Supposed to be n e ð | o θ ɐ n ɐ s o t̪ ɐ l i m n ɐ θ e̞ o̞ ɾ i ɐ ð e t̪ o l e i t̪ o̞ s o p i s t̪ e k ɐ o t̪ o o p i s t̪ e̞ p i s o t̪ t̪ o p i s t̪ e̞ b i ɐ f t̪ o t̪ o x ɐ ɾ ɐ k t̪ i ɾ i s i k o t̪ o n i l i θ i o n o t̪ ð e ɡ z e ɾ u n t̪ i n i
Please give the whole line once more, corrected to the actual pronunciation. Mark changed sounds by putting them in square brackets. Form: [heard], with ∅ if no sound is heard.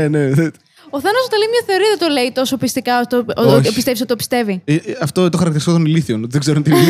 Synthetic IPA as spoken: n e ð | o θ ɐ n ɐ s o t̪ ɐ l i m [ɲ] ɐ θ e̞ o̞ ɾ i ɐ ð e t̪ o l e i t̪ o̞ s o p i s t̪ [i] k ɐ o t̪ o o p i s t̪ e̞ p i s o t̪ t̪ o p i s t̪ e̞ [v] i ɐ f t̪ o t̪ o x ɐ ɾ ɐ k t̪ i ɾ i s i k o t̪ o n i l i θ i o n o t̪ ð e ɡ z e ɾ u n t̪ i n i